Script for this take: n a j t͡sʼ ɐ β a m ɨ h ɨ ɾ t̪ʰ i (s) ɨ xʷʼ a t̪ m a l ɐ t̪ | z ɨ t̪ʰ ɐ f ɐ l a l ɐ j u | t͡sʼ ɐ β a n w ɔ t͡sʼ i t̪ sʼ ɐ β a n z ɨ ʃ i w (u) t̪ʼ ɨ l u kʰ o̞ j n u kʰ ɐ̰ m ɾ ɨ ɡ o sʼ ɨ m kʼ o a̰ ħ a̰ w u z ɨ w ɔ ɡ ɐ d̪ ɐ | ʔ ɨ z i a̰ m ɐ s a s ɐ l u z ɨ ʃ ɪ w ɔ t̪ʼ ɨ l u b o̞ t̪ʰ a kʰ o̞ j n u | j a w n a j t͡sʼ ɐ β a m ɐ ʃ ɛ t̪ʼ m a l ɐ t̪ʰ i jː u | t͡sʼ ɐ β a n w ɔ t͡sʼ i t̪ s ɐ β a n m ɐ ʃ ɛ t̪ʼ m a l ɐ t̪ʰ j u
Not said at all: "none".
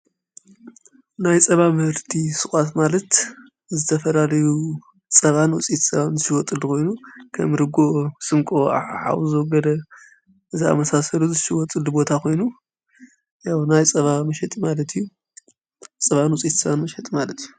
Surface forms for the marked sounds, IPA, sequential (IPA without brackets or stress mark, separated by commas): s, ɔ